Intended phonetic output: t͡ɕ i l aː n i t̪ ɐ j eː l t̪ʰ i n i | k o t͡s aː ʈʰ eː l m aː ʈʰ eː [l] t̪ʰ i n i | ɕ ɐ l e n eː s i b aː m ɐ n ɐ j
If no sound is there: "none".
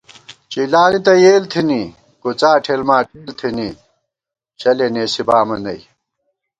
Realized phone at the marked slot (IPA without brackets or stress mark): l